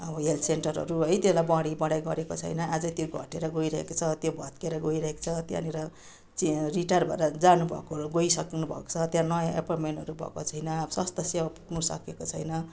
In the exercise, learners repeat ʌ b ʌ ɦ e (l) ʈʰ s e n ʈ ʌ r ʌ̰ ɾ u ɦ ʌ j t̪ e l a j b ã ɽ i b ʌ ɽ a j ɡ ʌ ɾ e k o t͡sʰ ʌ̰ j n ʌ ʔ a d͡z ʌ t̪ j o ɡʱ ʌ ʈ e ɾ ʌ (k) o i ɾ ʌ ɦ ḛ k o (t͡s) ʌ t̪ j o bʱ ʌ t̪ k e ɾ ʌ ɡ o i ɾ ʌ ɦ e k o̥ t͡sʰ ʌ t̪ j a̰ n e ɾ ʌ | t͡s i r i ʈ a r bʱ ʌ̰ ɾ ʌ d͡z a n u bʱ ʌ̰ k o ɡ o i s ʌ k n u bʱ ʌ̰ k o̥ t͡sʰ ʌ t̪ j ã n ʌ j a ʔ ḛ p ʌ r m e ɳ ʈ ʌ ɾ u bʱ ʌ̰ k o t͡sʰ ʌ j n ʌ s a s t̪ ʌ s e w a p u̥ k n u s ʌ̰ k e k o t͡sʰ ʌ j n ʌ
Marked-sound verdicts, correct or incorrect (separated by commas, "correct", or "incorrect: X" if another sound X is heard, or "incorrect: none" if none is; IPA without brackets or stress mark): correct, incorrect: ɡ, incorrect: t͡sʰ